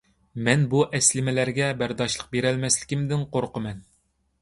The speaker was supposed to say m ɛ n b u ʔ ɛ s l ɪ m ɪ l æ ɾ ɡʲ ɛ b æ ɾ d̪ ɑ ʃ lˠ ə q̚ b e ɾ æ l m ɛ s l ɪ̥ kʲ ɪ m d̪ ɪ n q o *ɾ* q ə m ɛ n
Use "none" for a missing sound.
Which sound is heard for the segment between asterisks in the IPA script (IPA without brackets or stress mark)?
ɾ